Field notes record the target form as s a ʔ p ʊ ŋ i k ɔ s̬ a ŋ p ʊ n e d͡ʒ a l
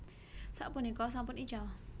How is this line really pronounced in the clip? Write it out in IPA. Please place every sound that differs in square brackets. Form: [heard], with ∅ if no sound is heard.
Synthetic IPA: s a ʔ p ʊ [n] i k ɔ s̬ a [m] p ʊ n [i] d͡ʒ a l